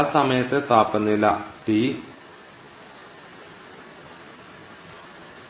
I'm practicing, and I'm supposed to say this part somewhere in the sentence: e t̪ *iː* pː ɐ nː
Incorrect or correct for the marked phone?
incorrect: aː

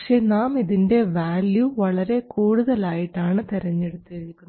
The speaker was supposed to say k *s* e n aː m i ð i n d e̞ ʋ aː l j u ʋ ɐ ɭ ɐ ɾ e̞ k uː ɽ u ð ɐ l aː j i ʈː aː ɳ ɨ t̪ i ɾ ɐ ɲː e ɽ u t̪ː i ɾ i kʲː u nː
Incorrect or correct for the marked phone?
incorrect: ʂ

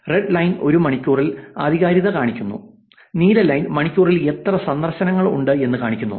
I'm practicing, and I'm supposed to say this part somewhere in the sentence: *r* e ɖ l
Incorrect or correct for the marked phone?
correct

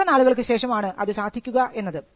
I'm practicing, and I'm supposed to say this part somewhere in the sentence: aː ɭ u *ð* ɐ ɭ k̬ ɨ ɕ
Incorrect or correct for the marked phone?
incorrect: ɣ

